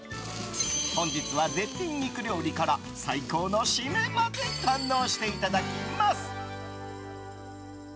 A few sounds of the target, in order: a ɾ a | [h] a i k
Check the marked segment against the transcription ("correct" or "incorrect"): incorrect